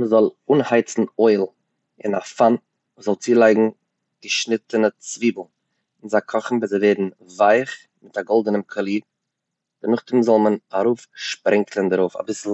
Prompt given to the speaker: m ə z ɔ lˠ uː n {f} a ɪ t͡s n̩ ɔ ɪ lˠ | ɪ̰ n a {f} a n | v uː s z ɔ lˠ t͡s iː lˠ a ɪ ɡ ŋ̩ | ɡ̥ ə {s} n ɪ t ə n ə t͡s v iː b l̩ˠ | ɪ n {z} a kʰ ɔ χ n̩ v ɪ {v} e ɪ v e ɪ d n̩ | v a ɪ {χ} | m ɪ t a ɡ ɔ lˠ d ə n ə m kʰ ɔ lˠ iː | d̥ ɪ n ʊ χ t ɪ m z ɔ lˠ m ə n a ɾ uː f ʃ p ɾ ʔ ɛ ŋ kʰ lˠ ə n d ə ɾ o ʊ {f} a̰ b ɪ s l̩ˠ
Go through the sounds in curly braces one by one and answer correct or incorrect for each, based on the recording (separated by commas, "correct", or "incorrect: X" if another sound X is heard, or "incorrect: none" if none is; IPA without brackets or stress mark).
incorrect: h, correct, incorrect: ʃ, correct, incorrect: z, correct, correct